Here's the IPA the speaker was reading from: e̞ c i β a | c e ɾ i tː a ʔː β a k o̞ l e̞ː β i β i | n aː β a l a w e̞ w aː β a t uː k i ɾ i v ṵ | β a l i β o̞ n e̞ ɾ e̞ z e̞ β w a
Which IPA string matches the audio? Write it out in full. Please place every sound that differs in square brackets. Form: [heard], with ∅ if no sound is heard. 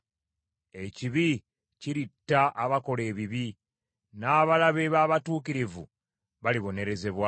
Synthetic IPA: e̞ c i β [i] | c [i] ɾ i tː a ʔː β a k o̞ l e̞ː β i β i | n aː β a l a [β] e̞ [β] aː β a t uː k i ɾ i v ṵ | β a l i β o̞ n e̞ ɾ e̞ z e̞ β w a